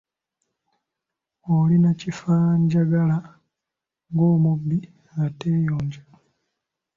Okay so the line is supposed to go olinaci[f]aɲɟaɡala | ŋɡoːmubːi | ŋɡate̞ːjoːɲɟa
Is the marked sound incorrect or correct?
correct